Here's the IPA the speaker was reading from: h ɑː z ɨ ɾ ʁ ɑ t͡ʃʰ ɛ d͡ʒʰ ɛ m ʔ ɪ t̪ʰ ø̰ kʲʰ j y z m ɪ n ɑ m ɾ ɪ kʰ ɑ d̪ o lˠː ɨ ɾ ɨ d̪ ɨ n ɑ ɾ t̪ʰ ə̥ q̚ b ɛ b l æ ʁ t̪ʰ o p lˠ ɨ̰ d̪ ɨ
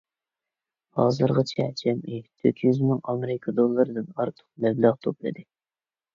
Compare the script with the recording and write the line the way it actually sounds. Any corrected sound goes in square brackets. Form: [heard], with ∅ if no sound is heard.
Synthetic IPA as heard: h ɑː z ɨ ɾ ʁ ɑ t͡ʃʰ ɛ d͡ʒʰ ɛ m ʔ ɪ t̪ʰ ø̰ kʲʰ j y z m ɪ [ŋ] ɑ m ɾ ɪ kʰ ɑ d̪ o lˠː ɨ ɾ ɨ d̪ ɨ n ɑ ɾ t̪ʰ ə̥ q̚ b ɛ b l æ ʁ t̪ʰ o p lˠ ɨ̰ d̪ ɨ